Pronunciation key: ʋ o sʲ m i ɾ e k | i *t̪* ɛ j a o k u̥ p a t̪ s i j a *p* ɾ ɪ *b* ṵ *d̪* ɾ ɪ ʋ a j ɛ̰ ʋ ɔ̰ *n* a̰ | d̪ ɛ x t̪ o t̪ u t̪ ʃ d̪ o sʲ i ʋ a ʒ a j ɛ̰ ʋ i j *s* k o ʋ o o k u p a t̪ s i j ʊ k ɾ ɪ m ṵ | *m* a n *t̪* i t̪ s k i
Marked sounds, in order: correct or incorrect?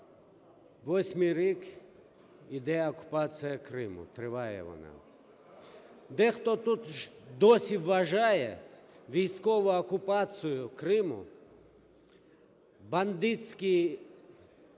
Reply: incorrect: d̪, incorrect: k, incorrect: m, incorrect: t̪, correct, correct, incorrect: b, incorrect: d̪

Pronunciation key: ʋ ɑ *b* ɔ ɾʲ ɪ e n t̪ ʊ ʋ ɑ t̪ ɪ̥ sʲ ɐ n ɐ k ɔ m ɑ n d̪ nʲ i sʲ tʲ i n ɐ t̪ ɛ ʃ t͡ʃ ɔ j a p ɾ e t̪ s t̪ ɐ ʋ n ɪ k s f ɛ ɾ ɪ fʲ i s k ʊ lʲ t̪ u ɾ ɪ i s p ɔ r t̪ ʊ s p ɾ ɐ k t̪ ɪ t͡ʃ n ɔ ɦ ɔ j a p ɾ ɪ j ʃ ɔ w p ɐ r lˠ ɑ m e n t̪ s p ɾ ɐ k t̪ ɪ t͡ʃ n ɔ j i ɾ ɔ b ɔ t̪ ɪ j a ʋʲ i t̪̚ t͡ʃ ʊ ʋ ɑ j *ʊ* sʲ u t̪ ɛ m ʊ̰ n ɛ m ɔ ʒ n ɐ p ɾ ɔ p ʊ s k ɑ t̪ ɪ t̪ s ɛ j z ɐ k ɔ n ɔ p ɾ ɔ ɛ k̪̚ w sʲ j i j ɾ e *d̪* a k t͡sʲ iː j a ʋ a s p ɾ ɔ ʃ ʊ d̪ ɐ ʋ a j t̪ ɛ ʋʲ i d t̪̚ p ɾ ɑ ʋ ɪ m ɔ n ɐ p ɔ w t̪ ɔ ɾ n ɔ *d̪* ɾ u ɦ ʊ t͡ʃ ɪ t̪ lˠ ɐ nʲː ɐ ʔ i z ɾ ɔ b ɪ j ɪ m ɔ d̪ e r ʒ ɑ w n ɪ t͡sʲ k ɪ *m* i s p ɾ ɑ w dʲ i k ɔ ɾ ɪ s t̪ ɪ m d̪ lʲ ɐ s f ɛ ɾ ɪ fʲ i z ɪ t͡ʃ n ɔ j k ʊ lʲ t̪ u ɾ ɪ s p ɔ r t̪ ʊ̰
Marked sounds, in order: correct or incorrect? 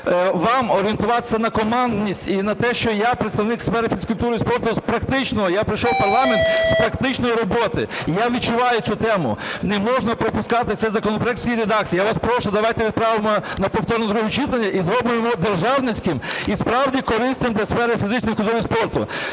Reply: incorrect: m, correct, correct, correct, correct

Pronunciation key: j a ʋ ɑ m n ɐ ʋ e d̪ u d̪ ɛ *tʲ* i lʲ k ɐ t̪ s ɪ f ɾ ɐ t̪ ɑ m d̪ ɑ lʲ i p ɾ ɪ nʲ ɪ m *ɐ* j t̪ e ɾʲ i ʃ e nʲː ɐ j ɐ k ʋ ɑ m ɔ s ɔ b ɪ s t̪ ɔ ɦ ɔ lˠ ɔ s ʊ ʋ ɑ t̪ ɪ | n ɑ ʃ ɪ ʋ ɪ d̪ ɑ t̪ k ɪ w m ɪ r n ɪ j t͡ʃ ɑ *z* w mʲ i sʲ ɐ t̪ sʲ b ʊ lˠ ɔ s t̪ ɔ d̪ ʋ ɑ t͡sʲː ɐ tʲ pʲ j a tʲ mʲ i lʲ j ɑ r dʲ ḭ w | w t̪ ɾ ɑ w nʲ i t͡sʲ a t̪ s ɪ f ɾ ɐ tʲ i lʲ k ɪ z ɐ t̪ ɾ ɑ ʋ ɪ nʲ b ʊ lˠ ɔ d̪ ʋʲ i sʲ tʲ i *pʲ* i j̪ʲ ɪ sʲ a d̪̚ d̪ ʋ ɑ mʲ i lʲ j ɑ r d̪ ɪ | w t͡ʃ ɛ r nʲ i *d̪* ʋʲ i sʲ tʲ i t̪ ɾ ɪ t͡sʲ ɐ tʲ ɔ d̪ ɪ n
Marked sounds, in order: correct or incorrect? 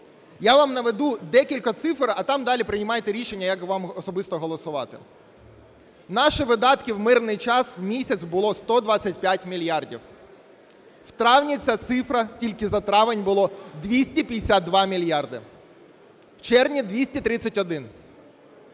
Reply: incorrect: kʲ, incorrect: ɑ, incorrect: s, correct, correct

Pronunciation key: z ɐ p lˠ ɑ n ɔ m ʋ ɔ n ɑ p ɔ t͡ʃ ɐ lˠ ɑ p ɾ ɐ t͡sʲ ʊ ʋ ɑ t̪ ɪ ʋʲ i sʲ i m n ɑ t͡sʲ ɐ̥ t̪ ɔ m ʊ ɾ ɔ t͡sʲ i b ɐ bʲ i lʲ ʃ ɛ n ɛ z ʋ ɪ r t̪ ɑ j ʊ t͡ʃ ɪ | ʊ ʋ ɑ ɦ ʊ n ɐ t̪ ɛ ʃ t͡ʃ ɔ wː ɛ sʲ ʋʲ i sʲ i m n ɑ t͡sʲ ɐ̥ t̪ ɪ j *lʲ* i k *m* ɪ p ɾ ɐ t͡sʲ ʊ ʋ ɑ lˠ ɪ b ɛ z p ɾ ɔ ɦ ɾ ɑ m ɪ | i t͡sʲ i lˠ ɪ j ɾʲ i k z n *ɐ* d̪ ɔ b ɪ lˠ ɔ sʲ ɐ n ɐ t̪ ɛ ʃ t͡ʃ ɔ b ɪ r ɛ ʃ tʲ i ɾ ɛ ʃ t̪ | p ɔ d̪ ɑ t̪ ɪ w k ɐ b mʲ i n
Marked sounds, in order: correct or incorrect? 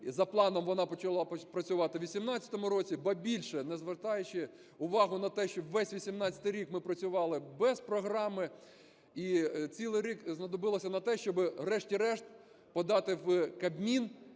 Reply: incorrect: ɾʲ, correct, correct

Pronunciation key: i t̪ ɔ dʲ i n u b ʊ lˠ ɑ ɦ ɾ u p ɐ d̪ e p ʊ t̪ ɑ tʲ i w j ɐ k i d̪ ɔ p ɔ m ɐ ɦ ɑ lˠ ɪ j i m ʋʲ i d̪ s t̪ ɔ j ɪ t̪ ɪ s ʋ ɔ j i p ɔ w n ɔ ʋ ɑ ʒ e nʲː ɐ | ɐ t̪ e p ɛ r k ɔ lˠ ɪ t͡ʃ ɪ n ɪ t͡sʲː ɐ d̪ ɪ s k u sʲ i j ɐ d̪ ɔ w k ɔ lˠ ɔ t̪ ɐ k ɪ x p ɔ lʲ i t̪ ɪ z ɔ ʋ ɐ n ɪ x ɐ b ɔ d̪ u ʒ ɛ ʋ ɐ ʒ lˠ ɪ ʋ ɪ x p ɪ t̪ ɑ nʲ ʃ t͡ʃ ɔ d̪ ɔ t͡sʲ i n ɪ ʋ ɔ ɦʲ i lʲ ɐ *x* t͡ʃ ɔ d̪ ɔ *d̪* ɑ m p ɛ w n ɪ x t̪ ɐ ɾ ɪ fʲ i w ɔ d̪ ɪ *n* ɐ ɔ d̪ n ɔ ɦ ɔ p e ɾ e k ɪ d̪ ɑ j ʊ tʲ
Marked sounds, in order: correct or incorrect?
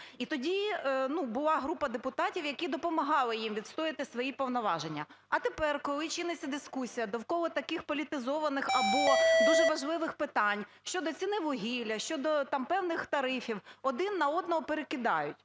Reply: incorrect: ʃ, incorrect: t̪, incorrect: nː

